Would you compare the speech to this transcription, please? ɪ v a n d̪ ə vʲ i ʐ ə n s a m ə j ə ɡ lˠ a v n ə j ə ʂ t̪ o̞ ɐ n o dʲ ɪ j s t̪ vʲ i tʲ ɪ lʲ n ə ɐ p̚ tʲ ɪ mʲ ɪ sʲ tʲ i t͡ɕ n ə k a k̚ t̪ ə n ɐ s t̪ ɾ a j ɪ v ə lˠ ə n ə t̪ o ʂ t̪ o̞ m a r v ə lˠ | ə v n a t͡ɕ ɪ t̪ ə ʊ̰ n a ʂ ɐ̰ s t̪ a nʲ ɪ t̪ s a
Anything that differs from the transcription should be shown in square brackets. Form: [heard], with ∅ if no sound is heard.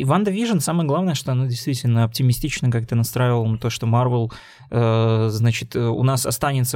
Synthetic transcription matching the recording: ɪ v a n d̪ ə vʲ i ʐ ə n s a m ə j ə ɡ lˠ a v n ə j ə ʂ t̪ o̞ ɐ n o dʲ ɪ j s t̪ vʲ i tʲ ɪ lʲ n ə ɐ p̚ tʲ ɪ mʲ ɪ sʲ tʲ i t͡ɕ n ə k a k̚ t̪ ə n ɐ s t̪ ɾ a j ɪ v ə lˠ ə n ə t̪ o ʂ t̪ o̞ m a r v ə lˠ | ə [z] n a t͡ɕ ɪ t̪ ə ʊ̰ n a [s] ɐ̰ s t̪ a nʲ ɪ t̪ s [ə]